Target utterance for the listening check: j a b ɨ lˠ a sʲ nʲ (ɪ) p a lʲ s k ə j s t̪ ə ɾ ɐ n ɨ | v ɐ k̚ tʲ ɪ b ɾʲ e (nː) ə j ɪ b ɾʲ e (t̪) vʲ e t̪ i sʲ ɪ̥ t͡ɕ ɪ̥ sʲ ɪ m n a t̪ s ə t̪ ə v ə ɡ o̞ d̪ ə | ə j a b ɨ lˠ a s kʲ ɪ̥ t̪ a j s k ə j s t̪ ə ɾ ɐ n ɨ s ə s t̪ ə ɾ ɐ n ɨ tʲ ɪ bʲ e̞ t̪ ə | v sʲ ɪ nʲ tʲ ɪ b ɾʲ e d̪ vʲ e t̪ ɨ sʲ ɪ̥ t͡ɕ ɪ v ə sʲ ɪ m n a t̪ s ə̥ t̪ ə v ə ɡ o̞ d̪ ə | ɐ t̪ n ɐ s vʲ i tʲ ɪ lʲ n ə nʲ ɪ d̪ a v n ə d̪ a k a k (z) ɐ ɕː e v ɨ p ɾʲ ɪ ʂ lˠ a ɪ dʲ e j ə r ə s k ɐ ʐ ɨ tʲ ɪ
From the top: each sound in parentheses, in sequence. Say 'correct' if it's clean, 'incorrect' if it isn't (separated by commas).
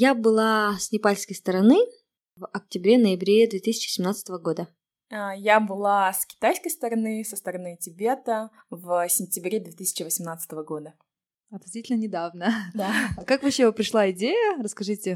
correct, incorrect, incorrect, incorrect